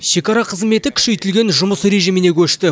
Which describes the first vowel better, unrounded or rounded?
unrounded